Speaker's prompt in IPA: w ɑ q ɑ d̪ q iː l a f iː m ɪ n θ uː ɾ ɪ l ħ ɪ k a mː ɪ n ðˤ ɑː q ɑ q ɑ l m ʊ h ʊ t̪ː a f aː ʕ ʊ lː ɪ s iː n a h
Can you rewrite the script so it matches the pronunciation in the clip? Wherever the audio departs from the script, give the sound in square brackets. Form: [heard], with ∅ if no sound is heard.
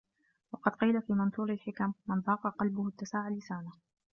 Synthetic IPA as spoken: w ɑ q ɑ d̪ q iː l a f iː m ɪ n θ uː ɾ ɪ l ħ ɪ k a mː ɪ n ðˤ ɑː q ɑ q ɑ l [b] ʊ h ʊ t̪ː a [s] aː ʕ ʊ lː ɪ s [aː] n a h